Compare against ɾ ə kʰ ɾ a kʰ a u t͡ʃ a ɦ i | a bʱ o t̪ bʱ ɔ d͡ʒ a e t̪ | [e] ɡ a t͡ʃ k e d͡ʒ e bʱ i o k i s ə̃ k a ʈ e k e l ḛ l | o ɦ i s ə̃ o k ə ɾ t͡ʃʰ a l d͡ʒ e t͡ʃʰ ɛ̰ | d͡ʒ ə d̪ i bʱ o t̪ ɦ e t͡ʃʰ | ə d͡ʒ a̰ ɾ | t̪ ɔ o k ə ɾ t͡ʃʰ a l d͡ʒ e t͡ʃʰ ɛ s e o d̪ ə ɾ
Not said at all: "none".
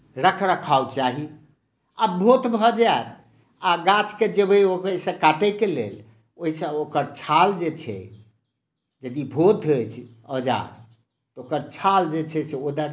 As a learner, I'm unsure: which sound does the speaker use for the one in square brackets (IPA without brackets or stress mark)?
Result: a